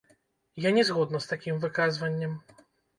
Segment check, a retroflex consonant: absent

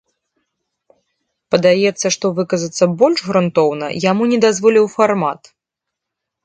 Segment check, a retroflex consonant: present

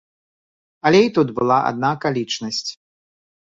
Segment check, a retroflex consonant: present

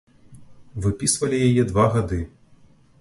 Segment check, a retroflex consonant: absent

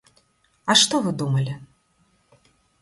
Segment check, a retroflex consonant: present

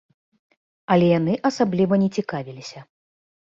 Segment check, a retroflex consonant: absent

